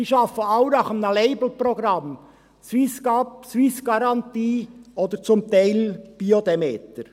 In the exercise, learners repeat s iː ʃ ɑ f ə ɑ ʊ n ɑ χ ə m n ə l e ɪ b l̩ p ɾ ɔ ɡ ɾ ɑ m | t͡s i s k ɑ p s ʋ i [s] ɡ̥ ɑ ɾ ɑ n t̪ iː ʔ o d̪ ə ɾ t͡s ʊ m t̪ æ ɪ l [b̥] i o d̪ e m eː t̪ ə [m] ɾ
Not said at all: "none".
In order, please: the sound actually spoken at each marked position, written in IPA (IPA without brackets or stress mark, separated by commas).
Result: s, b̥, none